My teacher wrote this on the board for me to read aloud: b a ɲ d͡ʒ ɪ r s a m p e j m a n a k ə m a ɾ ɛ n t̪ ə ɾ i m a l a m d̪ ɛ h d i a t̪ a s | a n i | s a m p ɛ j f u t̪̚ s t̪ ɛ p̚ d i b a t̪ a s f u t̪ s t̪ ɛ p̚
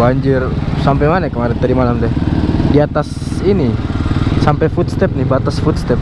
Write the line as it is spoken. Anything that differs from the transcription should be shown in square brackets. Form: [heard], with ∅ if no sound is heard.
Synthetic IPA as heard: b a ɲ d͡ʒ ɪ r s a m p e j m a n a k ə m a ɾ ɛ n t̪ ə ɾ i m a l a m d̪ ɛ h d i a t̪ a s | [i] n i | s a m p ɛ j f u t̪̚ s t̪ ɛ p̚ [n] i b a t̪ a s f u t̪ s t̪ ɛ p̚